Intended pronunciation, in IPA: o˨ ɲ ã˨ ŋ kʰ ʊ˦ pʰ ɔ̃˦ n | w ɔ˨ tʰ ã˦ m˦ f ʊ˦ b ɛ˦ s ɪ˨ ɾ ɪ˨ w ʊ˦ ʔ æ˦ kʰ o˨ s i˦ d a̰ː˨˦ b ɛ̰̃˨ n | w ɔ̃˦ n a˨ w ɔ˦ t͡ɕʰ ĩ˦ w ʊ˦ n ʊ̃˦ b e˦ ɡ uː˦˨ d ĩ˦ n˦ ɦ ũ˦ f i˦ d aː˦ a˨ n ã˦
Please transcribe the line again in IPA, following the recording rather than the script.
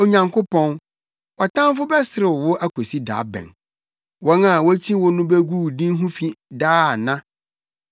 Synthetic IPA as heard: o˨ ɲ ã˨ ŋ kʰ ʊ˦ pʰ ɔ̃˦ n | w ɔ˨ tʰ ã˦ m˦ f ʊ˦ b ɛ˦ s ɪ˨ ɾ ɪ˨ w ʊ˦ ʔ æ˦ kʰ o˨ s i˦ d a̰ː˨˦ b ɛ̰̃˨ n | w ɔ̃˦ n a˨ w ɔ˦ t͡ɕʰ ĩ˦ w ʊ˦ n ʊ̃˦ b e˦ ɡ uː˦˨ d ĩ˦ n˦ ɦ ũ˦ f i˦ d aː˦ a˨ n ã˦

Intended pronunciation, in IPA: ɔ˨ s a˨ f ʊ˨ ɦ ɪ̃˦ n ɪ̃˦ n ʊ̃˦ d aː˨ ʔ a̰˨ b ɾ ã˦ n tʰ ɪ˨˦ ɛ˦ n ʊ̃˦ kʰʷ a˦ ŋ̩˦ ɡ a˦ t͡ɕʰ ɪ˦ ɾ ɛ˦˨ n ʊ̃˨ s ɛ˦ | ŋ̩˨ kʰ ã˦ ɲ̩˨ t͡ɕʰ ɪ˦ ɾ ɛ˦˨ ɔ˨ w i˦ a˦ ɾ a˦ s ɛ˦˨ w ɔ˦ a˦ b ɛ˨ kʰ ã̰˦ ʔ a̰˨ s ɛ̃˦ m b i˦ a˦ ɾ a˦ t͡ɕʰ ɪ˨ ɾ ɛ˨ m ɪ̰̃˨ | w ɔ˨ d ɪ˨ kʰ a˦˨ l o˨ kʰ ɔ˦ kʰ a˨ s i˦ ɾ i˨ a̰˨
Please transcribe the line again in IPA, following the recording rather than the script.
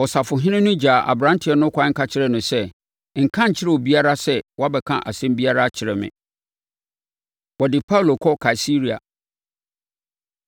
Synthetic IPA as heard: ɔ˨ s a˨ f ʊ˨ ɦ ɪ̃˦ n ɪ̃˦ n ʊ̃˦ d͡ʑ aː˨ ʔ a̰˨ b ɾ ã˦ n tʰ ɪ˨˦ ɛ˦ n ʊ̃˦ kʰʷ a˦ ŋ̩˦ k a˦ t͡ɕʰ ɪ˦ ɾ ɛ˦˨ n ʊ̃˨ s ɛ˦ | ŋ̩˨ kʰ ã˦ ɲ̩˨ t͡ɕʰ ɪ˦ ɾ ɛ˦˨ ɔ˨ b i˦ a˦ ɾ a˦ s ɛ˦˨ w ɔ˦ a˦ b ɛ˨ kʰ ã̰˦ ʔ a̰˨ s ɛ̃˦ m b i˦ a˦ ɾ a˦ t͡ɕʰ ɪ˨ ɾ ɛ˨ m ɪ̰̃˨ | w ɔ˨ d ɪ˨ pʰ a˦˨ l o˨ kʰ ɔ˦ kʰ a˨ s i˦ ɾ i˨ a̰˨

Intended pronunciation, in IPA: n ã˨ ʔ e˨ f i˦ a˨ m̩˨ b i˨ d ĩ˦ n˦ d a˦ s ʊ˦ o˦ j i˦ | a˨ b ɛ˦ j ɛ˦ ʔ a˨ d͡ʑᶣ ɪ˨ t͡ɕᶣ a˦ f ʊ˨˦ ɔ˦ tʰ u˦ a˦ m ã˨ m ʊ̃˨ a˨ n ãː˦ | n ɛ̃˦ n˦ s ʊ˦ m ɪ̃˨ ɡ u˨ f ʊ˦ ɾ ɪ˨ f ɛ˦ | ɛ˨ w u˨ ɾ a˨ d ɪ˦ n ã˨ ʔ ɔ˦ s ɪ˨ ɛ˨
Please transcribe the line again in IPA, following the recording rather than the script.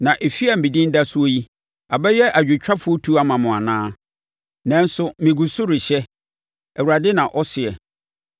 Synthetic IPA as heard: n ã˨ ʔ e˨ f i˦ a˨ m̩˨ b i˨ d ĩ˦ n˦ d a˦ s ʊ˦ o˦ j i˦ | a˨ b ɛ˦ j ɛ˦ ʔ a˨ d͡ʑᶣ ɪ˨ t͡ɕᶣ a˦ f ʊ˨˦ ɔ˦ tʰ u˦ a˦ m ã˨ m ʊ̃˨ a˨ n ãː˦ | n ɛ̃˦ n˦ s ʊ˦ m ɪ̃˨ ɡ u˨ s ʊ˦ ɾ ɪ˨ ɕ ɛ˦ | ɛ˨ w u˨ ɾ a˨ d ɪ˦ n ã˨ ʔ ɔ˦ s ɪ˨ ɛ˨

